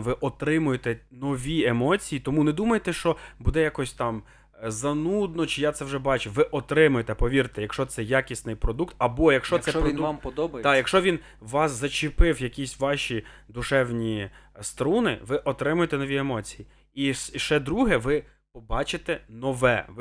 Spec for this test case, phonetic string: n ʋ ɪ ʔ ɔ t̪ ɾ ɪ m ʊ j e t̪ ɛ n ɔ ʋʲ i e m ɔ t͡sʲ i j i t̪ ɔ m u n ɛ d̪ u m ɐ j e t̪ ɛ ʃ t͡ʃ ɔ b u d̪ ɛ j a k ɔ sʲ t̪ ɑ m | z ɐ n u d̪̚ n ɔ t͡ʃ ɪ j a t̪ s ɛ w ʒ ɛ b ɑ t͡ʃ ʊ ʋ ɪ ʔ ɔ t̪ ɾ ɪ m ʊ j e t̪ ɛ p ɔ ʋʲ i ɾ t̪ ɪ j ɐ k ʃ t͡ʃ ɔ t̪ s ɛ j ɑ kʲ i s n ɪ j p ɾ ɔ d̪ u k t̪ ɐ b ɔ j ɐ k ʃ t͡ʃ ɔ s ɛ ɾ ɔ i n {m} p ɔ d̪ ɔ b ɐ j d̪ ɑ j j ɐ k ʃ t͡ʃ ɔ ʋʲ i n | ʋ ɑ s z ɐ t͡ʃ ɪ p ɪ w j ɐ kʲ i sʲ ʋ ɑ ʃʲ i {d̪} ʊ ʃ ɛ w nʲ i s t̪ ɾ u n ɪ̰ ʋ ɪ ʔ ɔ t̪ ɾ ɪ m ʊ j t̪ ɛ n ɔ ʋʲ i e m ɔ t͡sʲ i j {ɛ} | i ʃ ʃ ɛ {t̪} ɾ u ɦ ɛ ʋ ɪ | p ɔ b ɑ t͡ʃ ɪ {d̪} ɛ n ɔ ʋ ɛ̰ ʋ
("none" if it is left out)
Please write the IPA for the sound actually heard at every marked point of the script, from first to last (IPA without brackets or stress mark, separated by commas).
m, d̪, i, d̪, t̪